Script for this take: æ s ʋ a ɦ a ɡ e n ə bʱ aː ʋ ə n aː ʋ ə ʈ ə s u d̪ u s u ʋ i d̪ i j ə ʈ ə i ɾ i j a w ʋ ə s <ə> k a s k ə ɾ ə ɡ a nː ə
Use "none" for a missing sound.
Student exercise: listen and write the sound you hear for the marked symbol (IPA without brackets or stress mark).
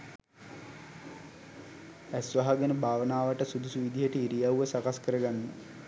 a